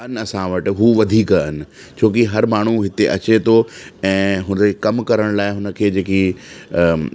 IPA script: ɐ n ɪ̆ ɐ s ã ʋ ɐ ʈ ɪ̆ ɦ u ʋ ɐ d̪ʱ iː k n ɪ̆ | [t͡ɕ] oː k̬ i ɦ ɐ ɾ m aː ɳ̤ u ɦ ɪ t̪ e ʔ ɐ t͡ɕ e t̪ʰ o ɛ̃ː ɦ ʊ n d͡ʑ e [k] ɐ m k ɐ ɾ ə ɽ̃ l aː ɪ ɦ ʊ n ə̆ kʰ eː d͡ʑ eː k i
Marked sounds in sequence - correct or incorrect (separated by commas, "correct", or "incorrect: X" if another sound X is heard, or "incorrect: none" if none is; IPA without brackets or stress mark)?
incorrect: t͡ɕʰ, correct